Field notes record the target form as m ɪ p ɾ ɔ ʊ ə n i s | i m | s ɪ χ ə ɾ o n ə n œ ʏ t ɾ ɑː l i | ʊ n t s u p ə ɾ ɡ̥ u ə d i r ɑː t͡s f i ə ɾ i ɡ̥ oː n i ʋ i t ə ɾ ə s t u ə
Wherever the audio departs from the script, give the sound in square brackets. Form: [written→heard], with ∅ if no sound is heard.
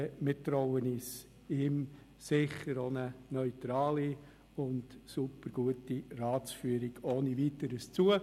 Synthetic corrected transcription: m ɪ [p→t] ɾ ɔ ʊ ə n i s | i m | s ɪ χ ə ɾ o n ə n œ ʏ t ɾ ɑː l i | ʊ n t s u p ə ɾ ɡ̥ u ə [d→t] i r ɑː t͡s f [i→y] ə ɾ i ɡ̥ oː n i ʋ i t ə ɾ ə s [t→t͡s] u ə